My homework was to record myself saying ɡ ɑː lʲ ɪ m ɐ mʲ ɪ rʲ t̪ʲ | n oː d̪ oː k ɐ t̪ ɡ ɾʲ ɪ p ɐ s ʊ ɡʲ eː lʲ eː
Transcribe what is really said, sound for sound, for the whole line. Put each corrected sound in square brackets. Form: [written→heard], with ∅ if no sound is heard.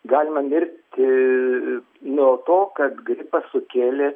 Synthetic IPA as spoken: ɡ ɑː lʲ ɪ m ɐ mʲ ɪ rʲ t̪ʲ | n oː [d̪→t̪] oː k ɐ t̪ ɡ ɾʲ ɪ p ɐ s ʊ [ɡʲ→kʲ] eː lʲ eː